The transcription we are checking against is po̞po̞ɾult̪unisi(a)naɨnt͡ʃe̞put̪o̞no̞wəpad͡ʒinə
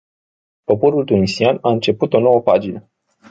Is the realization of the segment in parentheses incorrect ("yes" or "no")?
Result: no